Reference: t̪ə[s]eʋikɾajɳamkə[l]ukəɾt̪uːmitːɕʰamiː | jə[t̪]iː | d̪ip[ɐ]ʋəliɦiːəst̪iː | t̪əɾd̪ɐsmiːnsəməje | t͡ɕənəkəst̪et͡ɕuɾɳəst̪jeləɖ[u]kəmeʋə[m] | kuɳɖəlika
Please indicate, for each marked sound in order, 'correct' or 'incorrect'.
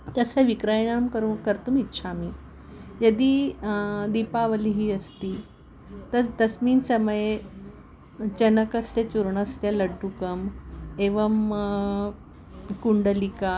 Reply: correct, incorrect, incorrect, incorrect, correct, correct

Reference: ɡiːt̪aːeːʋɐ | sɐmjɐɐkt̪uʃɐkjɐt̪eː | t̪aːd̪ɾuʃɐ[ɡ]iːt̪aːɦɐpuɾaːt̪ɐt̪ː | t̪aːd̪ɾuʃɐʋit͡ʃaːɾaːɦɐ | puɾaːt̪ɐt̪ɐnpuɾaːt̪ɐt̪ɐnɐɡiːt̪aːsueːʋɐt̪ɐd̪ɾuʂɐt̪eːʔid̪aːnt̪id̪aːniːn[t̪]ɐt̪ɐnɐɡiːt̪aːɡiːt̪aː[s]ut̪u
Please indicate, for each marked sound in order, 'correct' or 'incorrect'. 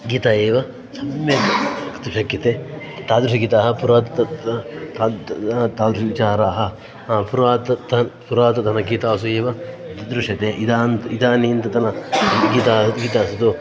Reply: correct, correct, correct

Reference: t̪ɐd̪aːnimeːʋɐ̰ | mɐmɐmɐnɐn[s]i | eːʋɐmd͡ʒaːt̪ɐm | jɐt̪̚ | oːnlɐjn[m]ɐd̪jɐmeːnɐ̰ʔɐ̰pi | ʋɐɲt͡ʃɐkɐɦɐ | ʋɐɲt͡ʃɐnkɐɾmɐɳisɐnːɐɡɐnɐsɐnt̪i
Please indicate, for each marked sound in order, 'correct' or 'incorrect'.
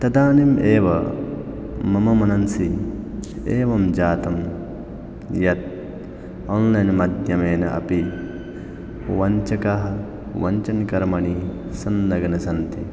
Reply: correct, correct

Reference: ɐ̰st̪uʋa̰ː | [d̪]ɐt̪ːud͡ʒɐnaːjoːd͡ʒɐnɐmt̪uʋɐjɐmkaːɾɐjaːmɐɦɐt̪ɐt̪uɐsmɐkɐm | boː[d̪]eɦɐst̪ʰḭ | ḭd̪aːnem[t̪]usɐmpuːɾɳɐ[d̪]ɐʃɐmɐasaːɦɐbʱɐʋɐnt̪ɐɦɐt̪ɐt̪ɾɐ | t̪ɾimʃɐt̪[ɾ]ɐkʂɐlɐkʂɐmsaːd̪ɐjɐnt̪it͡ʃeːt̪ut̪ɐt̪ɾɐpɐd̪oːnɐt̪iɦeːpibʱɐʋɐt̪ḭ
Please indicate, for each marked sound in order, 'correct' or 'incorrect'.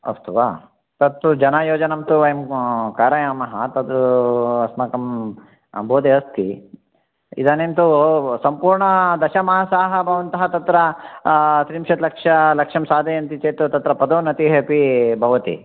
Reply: incorrect, correct, correct, correct, incorrect

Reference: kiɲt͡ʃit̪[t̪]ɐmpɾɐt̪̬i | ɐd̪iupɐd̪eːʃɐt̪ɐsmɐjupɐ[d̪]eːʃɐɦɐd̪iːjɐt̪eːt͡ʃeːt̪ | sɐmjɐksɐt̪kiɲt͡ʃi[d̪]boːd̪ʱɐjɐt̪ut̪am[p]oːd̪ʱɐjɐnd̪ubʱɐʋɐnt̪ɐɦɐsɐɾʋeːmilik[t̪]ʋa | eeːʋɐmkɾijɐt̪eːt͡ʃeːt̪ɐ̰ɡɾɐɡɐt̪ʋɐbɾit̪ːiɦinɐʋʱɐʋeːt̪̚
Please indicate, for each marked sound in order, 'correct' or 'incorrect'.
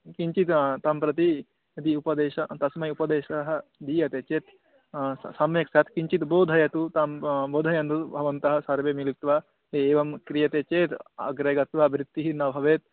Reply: correct, correct, incorrect, incorrect, correct

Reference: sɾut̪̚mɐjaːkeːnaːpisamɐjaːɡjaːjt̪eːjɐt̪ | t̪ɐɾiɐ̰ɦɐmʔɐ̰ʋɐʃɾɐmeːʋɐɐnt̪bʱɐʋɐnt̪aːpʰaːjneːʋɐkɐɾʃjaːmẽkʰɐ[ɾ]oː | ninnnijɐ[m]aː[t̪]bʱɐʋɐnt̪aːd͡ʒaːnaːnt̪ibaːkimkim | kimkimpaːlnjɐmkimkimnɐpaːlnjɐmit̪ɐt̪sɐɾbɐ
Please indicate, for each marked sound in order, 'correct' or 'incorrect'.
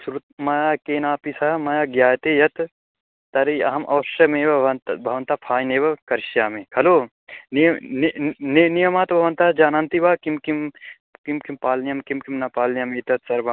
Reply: incorrect, correct, correct

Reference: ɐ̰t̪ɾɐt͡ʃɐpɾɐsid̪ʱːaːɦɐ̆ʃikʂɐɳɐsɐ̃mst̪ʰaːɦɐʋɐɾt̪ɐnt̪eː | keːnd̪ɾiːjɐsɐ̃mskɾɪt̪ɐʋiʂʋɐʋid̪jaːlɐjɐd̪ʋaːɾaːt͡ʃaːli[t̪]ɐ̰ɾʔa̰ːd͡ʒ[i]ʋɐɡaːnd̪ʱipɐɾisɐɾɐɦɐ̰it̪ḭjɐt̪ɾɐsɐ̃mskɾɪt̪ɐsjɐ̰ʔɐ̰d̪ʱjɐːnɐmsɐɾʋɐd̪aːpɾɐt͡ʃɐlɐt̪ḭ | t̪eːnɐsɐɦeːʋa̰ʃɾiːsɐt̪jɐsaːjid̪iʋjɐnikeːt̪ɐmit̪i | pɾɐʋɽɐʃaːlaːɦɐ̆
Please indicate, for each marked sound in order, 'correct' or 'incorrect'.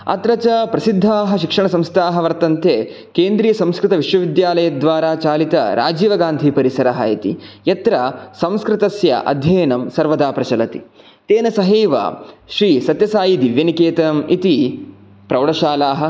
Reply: correct, incorrect

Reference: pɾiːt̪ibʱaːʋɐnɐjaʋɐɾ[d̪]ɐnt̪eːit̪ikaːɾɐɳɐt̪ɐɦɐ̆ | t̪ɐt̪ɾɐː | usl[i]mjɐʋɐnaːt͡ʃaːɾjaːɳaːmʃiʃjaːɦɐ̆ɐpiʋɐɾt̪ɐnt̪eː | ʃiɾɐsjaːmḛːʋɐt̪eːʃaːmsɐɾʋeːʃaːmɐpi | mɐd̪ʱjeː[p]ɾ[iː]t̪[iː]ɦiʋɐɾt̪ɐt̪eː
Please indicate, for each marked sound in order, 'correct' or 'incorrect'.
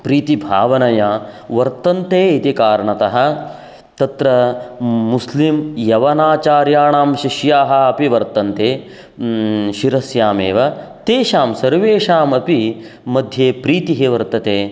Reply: incorrect, correct, correct, correct, incorrect

